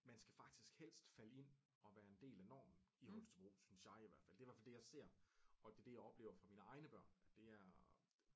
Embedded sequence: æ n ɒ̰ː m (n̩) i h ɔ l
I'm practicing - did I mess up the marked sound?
no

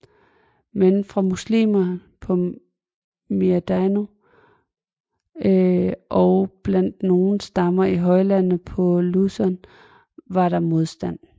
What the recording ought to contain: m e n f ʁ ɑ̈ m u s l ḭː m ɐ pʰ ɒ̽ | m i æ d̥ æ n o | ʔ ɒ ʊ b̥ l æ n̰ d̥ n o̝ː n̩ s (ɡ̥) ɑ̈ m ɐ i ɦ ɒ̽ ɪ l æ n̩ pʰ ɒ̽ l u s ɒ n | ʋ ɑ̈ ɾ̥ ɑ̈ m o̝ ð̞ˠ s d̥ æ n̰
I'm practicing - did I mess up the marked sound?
yes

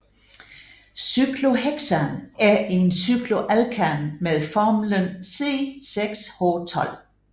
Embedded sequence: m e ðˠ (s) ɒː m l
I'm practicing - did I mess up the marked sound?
yes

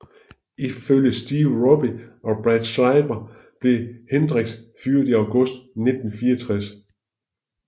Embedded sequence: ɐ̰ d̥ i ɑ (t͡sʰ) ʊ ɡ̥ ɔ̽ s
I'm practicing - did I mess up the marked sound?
yes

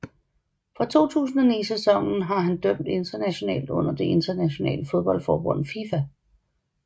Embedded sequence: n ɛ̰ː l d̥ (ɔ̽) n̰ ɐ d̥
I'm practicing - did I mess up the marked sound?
no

